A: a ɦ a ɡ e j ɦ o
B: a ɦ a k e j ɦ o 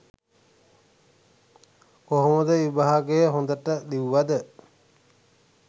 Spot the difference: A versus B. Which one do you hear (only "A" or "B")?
A